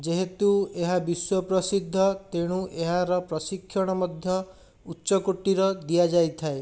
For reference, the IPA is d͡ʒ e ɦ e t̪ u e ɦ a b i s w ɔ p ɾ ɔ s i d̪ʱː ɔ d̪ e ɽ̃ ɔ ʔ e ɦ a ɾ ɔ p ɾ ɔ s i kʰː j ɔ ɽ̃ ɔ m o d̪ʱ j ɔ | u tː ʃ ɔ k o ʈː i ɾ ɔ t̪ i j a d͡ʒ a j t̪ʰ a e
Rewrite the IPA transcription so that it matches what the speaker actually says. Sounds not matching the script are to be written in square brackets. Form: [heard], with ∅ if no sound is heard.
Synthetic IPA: d͡ʒ e ɦ e t̪ u e ɦ a b i s w ɔ p ɾ ɔ s i d̪ʱː ɔ [t̪] e ɽ̃ [u] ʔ e ɦ a ɾ ɔ p ɾ ɔ s i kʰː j ɔ ɽ̃ ɔ m [ɔ] d̪ʱ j ɔ | u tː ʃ ɔ k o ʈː i ɾ ɔ [d̪] i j a d͡ʒ a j t̪ʰ a e